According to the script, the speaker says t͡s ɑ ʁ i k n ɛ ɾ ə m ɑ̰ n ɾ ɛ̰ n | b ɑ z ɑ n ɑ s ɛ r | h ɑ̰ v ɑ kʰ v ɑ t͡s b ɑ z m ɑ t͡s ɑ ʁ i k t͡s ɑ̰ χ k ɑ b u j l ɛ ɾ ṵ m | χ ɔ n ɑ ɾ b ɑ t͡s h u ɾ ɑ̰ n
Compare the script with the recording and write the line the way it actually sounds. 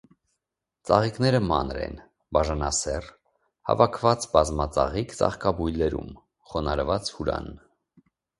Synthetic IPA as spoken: t͡s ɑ ʁ i k n ɛ ɾ ə m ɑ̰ n ɾ ɛ̰ n | b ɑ ʒ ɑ n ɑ s ɛ r | h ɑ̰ v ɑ kʰ v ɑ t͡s b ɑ z m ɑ t͡s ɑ ʁ i k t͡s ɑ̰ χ k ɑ b u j l ɛ ɾ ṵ m | χ ɔ n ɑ ɾ v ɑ t͡s h u ɾ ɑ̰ n